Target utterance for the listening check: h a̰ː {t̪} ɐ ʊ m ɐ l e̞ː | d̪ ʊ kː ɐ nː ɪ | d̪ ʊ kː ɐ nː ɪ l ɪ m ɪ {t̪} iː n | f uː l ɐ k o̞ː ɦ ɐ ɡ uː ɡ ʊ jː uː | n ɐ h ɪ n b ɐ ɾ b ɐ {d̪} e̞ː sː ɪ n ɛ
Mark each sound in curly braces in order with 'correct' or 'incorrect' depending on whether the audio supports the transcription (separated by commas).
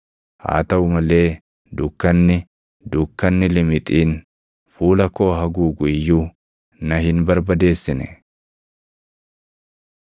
correct, incorrect, correct